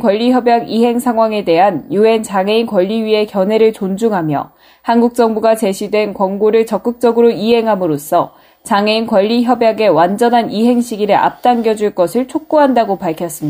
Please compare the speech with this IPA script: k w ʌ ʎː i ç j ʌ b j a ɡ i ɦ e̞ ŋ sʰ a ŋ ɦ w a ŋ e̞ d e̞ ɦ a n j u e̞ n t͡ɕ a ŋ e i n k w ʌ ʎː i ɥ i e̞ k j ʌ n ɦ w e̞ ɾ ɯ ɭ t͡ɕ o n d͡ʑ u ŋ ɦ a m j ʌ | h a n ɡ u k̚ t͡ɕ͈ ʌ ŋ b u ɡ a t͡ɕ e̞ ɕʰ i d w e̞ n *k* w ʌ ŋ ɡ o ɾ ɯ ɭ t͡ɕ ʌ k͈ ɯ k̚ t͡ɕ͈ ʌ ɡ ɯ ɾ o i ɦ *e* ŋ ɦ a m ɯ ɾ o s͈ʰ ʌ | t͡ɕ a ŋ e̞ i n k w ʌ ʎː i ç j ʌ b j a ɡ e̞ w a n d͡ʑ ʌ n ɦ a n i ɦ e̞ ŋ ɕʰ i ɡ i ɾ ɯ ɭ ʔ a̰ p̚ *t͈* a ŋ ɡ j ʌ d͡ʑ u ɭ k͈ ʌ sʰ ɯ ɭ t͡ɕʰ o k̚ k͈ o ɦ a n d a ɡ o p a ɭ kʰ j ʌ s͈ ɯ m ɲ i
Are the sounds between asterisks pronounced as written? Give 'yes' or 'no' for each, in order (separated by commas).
yes, yes, yes